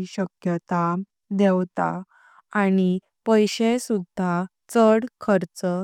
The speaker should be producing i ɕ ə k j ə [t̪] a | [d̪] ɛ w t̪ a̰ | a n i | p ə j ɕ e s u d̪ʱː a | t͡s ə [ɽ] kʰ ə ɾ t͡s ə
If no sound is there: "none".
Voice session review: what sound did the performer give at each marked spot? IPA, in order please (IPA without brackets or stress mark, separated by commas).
t̪, d̪, ɽ